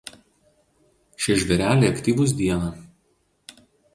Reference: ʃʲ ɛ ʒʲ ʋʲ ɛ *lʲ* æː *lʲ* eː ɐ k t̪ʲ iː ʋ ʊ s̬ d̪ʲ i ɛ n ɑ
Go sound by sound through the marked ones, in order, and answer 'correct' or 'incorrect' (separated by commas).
incorrect, correct